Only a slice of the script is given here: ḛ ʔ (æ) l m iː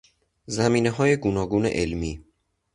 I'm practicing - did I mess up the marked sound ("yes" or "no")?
yes